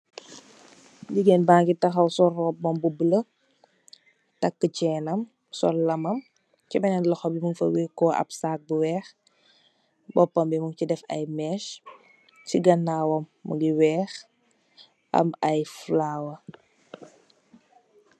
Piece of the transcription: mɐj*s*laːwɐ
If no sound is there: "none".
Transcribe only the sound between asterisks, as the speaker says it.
f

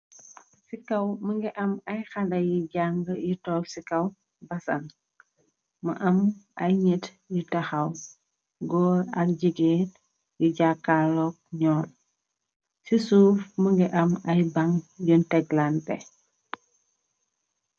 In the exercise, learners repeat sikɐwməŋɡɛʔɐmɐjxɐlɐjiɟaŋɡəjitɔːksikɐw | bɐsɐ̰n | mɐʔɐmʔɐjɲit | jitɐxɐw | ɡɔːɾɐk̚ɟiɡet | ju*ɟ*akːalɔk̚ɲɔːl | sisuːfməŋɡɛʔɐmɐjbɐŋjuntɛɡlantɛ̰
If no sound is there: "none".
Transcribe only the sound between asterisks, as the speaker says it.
ɟ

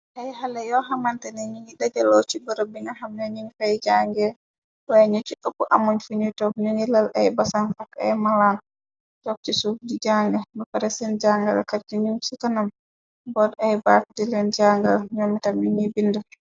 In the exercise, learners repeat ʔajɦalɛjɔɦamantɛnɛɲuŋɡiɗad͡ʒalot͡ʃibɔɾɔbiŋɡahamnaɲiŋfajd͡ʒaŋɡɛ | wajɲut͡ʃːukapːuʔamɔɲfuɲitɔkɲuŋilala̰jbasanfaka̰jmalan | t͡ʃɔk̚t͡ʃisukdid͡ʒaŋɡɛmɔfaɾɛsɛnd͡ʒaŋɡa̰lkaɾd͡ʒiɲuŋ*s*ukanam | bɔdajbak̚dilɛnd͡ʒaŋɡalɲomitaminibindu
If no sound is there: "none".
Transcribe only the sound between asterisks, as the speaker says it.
s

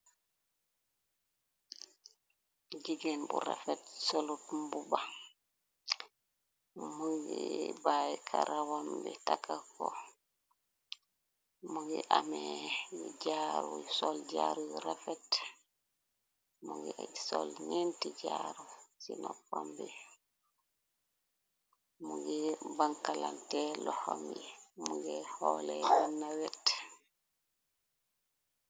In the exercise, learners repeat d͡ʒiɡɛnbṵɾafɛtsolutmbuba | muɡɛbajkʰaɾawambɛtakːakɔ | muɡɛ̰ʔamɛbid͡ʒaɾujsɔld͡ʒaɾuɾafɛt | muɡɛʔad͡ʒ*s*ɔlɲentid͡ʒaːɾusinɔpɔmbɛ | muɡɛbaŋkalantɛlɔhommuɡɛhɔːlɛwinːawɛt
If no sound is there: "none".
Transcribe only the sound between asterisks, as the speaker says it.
s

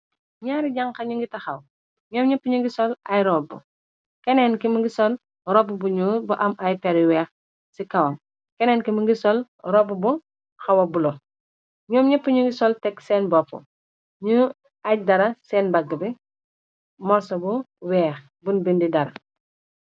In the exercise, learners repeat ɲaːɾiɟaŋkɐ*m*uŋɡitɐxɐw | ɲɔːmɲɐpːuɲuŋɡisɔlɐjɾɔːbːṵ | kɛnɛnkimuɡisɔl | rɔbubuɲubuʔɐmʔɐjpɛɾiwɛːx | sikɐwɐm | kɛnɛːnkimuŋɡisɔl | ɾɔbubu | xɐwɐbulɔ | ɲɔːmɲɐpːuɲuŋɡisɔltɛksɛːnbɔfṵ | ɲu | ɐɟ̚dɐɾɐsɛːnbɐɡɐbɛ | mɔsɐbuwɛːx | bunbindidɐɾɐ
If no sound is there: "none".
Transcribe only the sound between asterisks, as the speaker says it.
ɲ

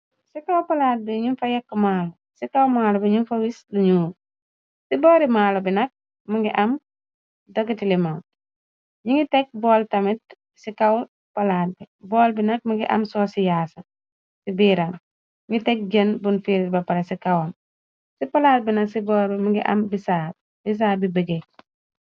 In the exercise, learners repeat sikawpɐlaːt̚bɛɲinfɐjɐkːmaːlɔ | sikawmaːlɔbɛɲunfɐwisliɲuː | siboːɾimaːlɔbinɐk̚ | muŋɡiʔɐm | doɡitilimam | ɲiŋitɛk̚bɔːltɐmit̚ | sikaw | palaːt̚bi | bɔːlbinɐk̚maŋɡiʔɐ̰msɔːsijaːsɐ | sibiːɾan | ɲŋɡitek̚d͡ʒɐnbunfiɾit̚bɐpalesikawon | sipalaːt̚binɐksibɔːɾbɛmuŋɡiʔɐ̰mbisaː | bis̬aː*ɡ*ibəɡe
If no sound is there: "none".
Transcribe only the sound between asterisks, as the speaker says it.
b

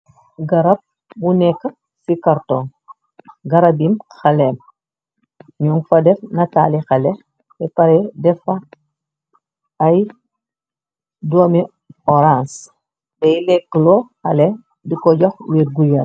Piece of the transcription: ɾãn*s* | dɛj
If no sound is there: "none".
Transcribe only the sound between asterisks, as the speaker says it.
s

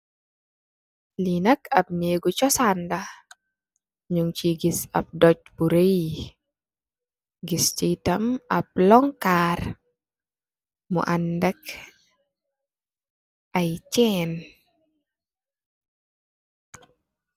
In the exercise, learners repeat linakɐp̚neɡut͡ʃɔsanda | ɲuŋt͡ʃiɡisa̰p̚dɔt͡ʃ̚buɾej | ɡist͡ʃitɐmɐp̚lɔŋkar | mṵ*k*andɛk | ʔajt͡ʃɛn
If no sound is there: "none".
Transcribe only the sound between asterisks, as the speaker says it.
ʔ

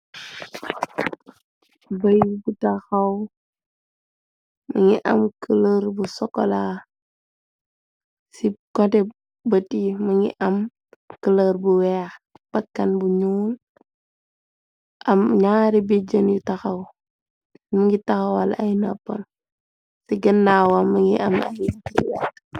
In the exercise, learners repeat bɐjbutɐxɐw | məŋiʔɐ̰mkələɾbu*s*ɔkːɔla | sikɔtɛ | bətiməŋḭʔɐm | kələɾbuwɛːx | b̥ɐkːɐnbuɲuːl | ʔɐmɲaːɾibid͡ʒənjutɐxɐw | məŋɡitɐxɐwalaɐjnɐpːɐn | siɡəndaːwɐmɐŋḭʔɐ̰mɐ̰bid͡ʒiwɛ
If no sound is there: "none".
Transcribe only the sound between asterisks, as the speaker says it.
s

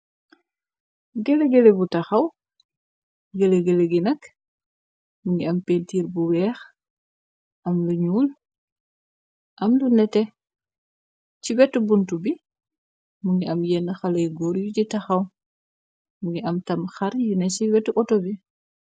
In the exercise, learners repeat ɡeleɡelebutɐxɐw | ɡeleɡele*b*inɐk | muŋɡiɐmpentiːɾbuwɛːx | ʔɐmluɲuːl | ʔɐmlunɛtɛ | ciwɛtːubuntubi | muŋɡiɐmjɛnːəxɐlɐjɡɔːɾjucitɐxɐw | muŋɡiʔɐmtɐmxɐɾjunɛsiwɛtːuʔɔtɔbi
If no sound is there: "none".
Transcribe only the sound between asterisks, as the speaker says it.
ɡ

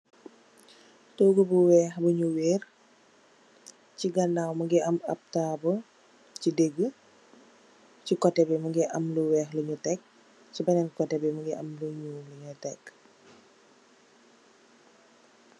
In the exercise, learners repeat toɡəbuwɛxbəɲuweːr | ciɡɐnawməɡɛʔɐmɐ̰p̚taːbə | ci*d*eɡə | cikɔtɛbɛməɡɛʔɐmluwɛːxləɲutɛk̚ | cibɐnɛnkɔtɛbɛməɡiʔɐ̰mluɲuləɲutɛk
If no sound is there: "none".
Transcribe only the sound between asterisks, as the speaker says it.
d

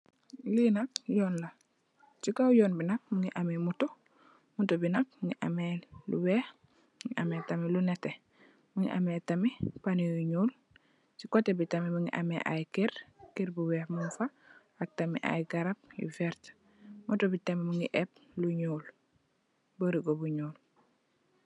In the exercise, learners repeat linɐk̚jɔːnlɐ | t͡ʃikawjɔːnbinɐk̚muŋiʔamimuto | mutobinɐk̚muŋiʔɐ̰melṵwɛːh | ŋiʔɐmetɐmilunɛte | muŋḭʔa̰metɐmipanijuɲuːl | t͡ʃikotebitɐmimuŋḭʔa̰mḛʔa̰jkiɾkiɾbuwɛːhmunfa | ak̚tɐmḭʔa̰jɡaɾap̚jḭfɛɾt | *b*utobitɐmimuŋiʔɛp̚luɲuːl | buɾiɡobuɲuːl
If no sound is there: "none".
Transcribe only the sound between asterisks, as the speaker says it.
m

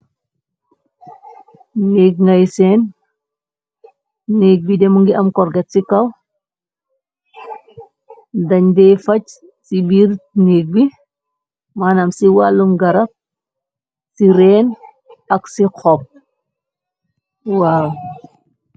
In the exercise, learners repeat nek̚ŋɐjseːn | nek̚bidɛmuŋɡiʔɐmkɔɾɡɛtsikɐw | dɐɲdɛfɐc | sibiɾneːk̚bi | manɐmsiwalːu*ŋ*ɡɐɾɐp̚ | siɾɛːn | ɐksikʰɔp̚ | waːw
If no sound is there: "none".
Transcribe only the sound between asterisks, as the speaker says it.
m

